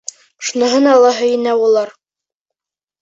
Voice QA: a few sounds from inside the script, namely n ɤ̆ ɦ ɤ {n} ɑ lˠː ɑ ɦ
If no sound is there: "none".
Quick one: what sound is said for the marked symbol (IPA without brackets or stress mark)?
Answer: n